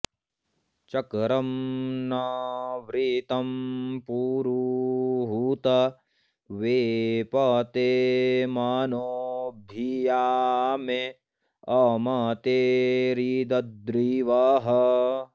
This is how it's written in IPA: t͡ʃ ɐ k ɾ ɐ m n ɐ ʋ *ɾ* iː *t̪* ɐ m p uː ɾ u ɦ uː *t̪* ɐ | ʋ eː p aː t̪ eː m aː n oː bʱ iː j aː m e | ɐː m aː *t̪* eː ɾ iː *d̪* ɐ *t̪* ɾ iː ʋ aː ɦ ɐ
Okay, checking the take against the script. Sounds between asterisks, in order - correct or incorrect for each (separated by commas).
correct, correct, correct, correct, correct, incorrect